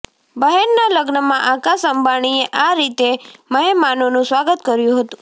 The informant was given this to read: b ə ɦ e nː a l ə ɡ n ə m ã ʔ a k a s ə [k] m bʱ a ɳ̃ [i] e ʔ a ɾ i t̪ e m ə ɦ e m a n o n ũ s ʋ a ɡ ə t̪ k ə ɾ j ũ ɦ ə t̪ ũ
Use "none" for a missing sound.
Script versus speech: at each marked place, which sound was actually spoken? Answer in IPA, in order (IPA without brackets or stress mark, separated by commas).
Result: none, i